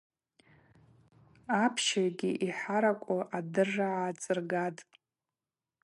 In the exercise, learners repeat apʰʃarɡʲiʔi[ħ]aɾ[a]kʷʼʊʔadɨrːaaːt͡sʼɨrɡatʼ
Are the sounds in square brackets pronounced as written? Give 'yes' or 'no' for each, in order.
yes, yes

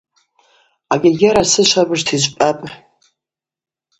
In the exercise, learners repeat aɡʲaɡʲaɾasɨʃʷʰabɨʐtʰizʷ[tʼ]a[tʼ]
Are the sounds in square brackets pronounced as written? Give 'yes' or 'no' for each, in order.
no, no

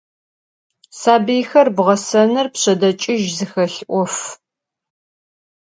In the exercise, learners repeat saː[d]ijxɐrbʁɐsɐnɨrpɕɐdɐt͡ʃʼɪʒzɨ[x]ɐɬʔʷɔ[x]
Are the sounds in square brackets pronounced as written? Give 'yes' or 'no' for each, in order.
no, yes, no

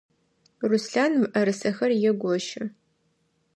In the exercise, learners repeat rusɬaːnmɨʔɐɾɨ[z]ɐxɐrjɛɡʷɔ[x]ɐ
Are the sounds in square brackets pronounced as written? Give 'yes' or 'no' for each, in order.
no, no

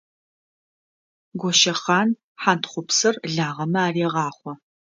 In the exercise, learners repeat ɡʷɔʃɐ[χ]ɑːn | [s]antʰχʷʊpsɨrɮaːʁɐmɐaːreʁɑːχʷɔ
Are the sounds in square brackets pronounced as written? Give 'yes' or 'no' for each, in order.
yes, no

